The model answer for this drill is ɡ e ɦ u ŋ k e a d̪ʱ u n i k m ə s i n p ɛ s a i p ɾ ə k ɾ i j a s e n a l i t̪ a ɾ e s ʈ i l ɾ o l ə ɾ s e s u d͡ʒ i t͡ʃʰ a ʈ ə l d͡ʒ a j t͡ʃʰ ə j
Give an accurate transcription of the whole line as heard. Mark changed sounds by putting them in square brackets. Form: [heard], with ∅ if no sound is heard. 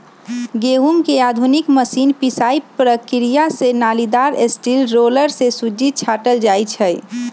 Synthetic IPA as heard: ɡ e ɦ u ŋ k e a d̪ʱ u n i k m ə s i n p [i] s a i p ɾ ə k ɾ i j a s e n a l i [d̪] a ɾ e s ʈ i l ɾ o l ə ɾ s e s u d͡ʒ i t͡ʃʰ a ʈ ə l d͡ʒ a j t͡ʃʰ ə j